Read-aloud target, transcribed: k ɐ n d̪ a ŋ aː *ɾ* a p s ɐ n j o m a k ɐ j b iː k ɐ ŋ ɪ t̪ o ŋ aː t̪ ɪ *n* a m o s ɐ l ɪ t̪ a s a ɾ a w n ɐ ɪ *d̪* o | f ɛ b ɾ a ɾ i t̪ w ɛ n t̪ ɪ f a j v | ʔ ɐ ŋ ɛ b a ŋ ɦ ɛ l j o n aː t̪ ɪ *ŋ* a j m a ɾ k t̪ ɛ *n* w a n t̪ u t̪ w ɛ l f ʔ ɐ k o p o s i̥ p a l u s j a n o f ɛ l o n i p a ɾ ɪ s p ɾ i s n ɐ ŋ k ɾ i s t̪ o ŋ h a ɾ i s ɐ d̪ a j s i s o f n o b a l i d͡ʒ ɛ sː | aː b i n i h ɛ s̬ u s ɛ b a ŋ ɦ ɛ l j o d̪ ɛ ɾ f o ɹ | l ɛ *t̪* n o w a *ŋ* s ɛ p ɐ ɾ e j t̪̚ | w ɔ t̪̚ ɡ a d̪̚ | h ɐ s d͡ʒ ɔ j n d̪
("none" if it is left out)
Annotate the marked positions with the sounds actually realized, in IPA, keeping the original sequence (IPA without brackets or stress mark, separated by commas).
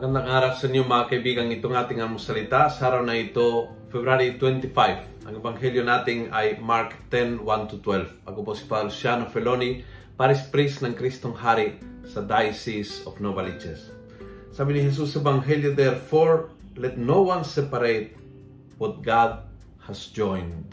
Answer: ɾ, ŋ, t̪, ŋ, n, t̪, n